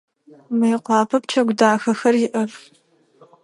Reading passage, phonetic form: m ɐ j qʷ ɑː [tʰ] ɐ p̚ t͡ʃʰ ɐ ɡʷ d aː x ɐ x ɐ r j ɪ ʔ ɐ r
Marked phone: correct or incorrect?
incorrect